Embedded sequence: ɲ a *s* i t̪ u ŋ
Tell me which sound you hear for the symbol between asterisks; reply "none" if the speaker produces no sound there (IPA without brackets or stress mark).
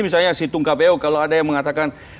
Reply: s